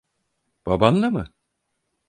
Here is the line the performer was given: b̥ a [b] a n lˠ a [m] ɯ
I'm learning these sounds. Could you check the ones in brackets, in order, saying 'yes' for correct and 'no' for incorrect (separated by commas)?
yes, yes